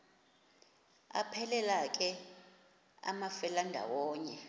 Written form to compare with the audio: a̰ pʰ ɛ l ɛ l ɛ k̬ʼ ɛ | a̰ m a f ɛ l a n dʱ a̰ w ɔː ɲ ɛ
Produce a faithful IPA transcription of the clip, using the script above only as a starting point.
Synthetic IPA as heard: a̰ pʰ ɛ l ɛ l a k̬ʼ ɛ | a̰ m a f ɛ l a n dʱ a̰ w ɔː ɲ ɛ